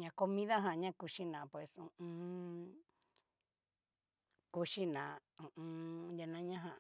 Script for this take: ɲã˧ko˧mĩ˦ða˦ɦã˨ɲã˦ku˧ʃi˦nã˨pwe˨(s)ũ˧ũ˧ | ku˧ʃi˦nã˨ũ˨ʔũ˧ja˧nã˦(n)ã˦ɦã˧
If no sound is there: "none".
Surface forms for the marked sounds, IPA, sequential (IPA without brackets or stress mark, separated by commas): s, ɲ